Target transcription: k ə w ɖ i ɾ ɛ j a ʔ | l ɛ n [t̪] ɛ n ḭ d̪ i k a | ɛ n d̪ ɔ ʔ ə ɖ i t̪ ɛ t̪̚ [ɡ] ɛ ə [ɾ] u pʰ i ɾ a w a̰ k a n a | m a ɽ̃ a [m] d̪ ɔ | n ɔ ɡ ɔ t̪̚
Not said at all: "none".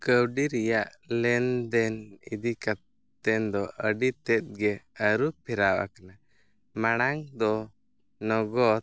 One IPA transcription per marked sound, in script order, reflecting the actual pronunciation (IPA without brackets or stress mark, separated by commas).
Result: d̪, ɡ, ɾ, ŋ